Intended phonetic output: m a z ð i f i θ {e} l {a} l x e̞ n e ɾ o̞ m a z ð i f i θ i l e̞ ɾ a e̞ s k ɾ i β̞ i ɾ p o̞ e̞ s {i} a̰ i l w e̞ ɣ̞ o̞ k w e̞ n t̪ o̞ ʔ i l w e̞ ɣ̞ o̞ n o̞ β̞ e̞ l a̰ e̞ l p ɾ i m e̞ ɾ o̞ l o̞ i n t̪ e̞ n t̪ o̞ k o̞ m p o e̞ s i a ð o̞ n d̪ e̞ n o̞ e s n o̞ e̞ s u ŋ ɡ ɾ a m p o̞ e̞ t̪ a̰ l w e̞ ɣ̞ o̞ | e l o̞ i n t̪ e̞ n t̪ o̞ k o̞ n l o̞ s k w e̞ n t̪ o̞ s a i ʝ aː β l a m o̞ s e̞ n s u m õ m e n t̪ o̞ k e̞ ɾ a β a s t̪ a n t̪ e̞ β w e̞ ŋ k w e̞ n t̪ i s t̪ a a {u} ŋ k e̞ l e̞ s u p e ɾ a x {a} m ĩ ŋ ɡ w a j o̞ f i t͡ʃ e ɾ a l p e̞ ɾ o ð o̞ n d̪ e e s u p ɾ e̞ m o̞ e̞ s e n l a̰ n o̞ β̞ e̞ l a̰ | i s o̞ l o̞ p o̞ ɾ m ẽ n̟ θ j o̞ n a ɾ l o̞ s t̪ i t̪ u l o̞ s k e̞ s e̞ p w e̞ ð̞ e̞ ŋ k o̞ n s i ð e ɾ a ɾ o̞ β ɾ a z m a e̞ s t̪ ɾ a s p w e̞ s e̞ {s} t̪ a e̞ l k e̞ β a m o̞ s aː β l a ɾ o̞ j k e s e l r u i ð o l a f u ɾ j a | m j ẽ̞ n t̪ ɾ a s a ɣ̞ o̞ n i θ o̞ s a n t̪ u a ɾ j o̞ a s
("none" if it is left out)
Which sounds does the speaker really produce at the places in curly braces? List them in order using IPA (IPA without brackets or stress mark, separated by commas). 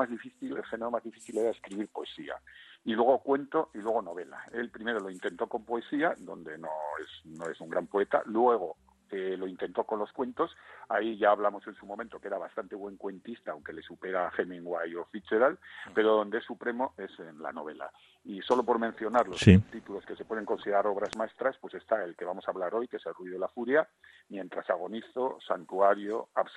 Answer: i, e, i, w, e, s